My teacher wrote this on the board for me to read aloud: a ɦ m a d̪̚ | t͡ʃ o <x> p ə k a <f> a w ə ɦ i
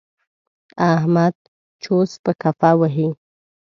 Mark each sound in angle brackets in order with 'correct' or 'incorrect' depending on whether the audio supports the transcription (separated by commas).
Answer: incorrect, correct